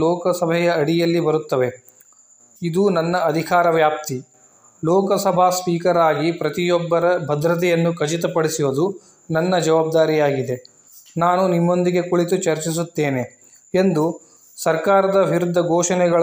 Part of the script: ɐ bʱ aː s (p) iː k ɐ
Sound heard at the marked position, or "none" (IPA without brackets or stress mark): p